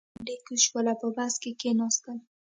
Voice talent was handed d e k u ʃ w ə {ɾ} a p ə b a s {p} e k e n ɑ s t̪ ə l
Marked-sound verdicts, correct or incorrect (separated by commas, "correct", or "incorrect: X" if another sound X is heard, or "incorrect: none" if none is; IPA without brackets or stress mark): incorrect: l, incorrect: k